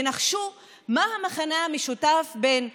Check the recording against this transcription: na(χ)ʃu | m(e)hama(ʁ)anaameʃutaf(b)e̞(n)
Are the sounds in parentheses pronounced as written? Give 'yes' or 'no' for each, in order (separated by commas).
yes, no, no, yes, yes